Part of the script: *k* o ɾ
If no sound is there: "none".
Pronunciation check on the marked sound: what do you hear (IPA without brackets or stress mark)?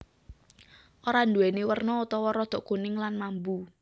ʔ